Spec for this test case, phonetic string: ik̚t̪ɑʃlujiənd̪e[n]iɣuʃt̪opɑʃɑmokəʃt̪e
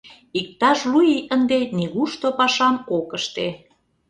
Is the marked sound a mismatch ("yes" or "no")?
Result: no